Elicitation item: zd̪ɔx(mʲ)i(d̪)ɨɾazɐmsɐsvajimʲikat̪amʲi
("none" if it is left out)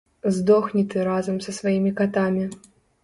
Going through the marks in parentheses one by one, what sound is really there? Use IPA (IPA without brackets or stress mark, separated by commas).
nʲ, t̪